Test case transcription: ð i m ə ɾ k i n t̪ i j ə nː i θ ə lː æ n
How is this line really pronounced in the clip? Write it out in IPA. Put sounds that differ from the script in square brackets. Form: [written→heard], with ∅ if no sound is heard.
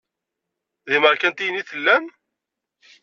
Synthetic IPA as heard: ð i m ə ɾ k [i→æ] n t̪ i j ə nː i θ ə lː æ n

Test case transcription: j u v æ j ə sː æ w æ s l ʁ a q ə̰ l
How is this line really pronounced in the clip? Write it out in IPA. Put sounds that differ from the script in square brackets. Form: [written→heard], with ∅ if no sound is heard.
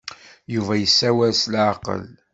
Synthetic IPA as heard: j u v æ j ə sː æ w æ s l [ʁ→ʕ] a q ə̰ l

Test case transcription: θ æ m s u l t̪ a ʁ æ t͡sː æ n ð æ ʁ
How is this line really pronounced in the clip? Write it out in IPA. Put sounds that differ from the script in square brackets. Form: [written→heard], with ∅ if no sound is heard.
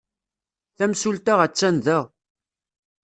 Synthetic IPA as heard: θ æ m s u l t̪ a ʁ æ t͡sː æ n ð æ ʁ

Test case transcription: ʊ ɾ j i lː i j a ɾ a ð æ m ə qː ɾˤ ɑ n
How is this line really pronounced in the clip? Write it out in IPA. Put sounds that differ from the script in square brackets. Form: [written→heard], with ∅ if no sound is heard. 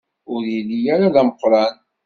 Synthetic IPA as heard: ʊ ɾ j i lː i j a ɾ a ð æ m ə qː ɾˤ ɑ n

